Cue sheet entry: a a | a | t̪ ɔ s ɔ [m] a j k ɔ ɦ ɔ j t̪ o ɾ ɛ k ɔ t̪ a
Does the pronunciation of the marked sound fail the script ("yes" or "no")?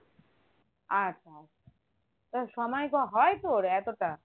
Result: no